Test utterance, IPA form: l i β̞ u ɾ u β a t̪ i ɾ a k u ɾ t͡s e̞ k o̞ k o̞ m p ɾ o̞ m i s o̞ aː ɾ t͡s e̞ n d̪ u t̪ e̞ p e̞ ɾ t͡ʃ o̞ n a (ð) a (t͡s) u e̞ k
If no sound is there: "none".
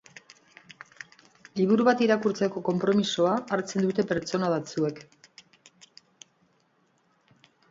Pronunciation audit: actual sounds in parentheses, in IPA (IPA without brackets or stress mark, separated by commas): ð, t͡s